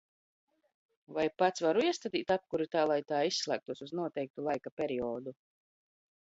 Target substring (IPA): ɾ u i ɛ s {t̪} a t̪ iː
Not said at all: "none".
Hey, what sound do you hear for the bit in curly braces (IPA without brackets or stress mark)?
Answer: t̪